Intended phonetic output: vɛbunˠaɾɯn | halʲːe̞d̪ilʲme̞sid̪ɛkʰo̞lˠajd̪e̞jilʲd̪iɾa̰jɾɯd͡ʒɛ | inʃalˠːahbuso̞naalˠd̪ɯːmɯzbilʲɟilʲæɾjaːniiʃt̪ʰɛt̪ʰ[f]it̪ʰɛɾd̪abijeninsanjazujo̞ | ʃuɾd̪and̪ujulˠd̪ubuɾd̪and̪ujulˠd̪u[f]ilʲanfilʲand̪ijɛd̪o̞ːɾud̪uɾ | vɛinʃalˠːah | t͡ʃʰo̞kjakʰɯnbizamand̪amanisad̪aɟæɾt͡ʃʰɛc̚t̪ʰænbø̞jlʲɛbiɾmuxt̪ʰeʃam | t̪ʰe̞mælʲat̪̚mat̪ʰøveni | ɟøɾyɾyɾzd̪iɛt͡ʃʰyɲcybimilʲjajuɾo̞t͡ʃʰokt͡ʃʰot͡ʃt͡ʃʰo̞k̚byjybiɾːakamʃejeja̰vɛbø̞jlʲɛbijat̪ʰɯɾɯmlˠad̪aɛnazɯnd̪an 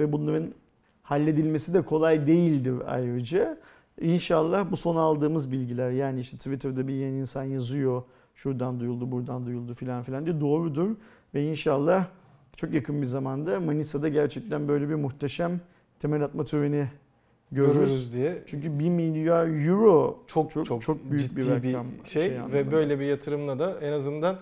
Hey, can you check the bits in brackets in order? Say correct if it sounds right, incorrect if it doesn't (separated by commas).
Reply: incorrect, correct